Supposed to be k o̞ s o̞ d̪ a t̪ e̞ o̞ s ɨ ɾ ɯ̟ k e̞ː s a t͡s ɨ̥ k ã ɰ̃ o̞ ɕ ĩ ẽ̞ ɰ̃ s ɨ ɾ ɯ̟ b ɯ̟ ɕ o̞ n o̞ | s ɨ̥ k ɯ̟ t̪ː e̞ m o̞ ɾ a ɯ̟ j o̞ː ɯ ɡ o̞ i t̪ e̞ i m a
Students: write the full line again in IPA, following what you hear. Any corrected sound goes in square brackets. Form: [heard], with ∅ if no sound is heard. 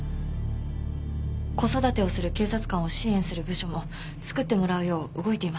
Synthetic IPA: k o̞ s o̞ d̪ a t̪ e̞ o̞ s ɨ ɾ ɯ̟ k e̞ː s a t͡s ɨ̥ k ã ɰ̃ o̞ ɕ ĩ ẽ̞ ɰ̃ s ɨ ɾ ɯ̟ b ɯ̟ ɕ o̞ [m] o̞ | [t͡s] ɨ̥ k ɯ̟ t̪ː e̞ m o̞ ɾ a ɯ̟ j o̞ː ɯ ɡ o̞ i t̪ e̞ i m a